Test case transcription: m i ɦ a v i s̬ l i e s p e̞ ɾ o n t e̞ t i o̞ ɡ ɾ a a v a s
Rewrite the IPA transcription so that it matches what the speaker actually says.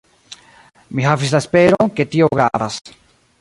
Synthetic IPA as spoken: m i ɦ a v i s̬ l a e s p e̞ ɾ o n k e̞ t i o̞ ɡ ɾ a a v a s

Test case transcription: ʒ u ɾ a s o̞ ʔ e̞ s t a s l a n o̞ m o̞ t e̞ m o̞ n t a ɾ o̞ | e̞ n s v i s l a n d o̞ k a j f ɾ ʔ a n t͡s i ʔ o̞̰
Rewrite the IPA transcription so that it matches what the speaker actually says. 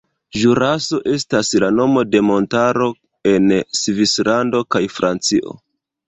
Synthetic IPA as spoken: ʒ u ɾ a s o̞ ʔ e̞ s t a s l a n o̞ m o̞ d e̞ m o̞ n t a ɾ o̞ | e̞ n s v i s l a n d o̞ k a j f ɾ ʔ a n t͡s i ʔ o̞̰

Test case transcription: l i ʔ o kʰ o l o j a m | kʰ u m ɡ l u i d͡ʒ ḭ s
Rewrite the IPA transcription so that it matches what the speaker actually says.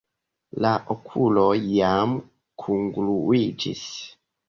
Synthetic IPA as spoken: l a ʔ o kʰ u l o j a m | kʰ u ŋ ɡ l u i d͡ʒ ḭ s

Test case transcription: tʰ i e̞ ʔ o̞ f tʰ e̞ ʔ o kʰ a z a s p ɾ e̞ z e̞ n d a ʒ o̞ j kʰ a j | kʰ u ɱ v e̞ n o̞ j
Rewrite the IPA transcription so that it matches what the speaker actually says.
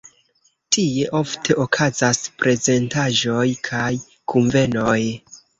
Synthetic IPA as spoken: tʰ i e̞ ʔ o̞ f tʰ e̞ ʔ o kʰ a z a s p ɾ e̞ z e̞ n t a ʒ o̞ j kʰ a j | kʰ u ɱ v e̞ n o̞ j

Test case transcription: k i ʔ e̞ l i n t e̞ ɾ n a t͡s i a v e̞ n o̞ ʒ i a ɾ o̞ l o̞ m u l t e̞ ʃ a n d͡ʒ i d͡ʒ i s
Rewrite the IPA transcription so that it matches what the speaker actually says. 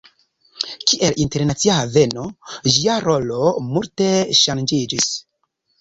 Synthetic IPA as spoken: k i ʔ e̞ l i n t e̞ ɾ n a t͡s i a v e̞ n o̞ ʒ i a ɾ o̞ l o̞ m u l t e̞ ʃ a n d͡ʒ i d͡ʒ i s

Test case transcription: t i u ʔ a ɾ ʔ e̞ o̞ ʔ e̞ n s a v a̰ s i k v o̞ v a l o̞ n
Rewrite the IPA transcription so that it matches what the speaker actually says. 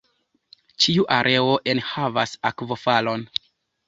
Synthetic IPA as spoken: t͡ʃ i u ʔ a ɾ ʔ e̞ o̞ ʔ e̞ n h a v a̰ s a k v o̞ f a l o̞ n

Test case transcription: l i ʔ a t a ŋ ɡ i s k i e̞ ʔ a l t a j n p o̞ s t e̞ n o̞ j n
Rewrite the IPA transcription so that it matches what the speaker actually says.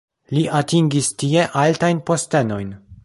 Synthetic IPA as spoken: l i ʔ a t i ŋ ɡ i s t i e̞ ʔ a l t a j n p o̞ s t e̞ n o̞ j n

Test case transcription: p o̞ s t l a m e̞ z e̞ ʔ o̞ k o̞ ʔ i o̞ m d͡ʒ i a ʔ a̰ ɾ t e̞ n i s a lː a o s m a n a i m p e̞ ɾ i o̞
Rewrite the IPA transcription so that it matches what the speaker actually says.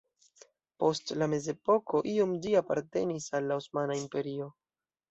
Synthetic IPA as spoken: p o̞ s t l a m e̞ z e̞ p o̞ k o̞ ʔ i o̞ m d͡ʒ i a p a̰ ɾ t e̞ n i s a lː a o s m a n a i m p e̞ ɾ i o̞

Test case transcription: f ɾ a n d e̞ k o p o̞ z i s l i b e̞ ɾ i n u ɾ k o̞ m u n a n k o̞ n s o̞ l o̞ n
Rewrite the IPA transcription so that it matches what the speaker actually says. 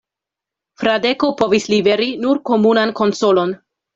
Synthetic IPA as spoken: f ɾ a d e̞ k o p o̞ v i s l i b e̞ ɾ i n u ɾ k o̞ m u n a n k o̞ n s o̞ l o̞ n

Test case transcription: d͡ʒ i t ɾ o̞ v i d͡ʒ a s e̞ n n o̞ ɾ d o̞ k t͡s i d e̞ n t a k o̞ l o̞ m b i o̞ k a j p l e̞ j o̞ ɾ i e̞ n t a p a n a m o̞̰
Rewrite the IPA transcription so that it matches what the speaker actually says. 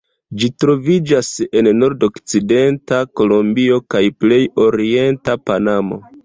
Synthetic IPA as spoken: d͡ʒ i t ɾ o̞ v i d͡ʒ a s e̞ n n o̞ ɾ d o̞ k t͡s i d e̞ n t a k o̞ l o̞ m b i o̞ k a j p l e̞ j o̞ ɾ i e̞ n t a p a n a m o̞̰

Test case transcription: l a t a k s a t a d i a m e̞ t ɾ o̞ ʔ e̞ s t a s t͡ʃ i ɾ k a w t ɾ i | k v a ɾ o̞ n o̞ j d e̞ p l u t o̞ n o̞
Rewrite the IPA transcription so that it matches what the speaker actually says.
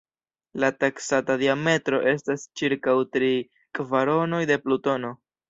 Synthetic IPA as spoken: l a t a k s a t a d i a m e̞ t ɾ o̞ ʔ e̞ s t a s t͡ʃ i ɾ k a w t ɾ i | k v a ɾ o̞ n o̞ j d e̞ p l u t o̞ n o̞

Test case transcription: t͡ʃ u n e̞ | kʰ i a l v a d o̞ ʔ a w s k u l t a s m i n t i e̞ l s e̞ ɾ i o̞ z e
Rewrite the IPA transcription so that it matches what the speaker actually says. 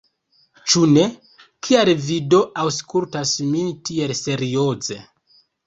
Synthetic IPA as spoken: t͡ʃ u n e̞ | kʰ i a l v i d o̞ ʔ a w s k u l t a s m i n t i e̞ l s e̞ ɾ i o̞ z e

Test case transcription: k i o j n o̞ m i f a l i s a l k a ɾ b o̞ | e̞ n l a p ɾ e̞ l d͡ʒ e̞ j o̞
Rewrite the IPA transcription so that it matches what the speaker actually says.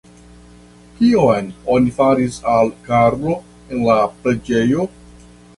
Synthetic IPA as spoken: k i o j n o̞ n i f a ɾ i s a l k a ɾ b o̞ | e̞ n l a p ɾ e̞ d͡ʒ e̞ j o̞

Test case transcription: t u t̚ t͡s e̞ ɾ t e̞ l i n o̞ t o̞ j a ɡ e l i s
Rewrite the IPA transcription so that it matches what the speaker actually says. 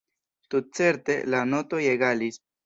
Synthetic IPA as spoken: t u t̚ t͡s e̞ ɾ t e̞ l a n o̞ t o̞ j e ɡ a l i s

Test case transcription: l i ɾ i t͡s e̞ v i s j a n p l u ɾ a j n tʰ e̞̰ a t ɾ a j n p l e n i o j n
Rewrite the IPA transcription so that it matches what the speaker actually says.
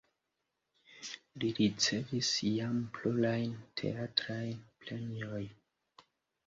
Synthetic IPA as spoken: l i ɾ i t͡s e̞ v i s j a m p l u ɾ a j n tʰ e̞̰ a t ɾ a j n p l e n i o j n

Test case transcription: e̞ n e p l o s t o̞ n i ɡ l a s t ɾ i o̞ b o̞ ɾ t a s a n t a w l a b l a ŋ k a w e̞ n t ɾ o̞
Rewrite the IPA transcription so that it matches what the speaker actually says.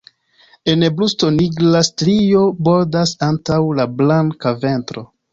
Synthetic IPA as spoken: e̞ n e b l u s t o̞ n i ɡ l a s t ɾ i o̞ b o̞ ɾ d a s a n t a w l a b l a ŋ k a v e̞ n t ɾ o̞

